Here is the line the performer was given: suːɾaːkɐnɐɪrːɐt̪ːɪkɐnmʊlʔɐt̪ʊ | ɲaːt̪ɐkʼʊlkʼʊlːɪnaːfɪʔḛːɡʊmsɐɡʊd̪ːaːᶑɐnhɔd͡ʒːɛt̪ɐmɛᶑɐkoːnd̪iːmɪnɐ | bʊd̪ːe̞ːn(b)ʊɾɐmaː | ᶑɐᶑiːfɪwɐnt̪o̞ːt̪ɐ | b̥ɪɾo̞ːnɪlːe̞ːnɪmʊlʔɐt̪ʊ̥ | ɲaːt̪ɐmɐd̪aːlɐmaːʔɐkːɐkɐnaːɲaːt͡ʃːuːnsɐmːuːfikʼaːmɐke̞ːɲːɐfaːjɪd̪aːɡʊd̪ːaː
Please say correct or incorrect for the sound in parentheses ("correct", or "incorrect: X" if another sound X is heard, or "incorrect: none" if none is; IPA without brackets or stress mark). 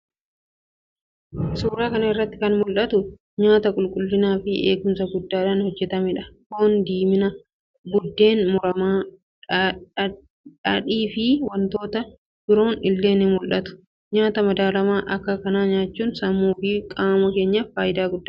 incorrect: m